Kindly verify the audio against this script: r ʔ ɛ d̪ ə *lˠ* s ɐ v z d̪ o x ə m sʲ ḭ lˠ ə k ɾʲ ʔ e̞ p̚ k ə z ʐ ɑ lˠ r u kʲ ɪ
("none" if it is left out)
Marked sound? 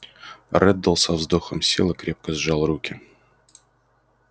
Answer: lˠ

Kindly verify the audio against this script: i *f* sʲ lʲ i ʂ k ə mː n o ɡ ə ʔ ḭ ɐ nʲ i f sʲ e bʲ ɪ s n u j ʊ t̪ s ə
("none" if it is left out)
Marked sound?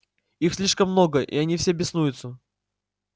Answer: x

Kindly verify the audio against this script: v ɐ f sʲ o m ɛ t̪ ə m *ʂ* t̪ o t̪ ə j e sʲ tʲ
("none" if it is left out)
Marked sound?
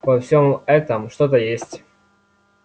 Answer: ʂ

